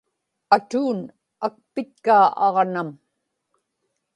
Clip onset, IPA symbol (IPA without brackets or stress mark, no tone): a